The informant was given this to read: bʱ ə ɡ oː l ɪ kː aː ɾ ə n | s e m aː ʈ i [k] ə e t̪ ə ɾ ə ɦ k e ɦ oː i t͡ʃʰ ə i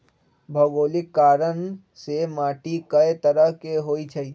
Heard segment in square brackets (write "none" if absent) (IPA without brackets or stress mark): k